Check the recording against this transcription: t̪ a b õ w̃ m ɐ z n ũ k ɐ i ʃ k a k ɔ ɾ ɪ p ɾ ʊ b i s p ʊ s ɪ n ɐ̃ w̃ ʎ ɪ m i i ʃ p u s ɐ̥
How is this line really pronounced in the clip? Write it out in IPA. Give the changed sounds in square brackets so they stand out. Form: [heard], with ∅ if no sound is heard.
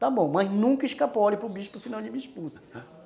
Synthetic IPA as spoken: t̪ a b õ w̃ m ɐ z n ũ k ɐ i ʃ k a [p] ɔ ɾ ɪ p ɾ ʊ b i [ʃ] p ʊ s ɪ n ɐ̃ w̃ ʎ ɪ m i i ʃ p u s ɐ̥